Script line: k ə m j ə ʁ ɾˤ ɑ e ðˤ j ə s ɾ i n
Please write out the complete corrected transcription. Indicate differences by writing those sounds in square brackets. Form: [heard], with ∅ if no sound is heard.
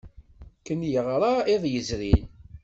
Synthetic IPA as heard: k ə [n] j ə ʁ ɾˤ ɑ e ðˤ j ə [z] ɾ i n